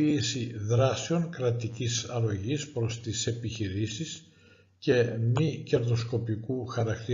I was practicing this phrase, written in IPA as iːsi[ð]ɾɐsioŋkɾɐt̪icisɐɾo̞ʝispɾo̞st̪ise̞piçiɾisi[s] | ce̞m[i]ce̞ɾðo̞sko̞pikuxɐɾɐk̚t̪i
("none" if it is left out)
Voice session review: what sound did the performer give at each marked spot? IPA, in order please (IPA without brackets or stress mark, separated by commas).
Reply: ð, s, i